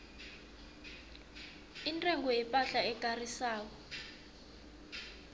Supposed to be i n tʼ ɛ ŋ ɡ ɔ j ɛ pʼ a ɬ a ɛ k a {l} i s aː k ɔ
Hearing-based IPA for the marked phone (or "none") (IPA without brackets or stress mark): r